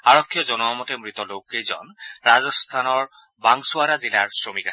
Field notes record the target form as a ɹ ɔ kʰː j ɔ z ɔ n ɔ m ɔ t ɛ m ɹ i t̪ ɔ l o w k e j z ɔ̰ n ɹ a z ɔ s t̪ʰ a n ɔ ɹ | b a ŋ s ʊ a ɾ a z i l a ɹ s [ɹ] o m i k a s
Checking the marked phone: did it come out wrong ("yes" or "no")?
no